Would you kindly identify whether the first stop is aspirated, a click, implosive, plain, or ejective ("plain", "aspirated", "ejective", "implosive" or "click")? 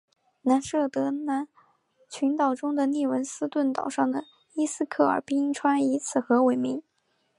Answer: plain